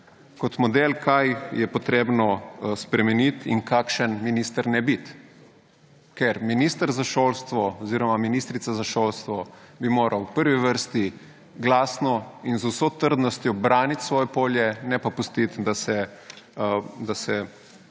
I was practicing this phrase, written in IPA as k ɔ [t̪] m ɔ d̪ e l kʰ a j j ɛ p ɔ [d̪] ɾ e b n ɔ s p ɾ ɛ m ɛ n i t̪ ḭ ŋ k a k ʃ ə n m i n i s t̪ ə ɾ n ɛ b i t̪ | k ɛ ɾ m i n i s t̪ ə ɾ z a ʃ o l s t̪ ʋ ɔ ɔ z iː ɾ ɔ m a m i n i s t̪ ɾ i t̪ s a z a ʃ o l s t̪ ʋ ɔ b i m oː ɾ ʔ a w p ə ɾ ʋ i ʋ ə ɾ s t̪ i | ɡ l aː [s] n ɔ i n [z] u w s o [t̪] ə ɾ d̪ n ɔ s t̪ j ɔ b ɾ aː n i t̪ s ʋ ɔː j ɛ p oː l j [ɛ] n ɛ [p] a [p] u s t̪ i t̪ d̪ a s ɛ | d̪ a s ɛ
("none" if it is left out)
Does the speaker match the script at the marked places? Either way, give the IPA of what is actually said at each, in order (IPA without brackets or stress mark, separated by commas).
t̪, t̪, s, z, t̪, ɛ, p, p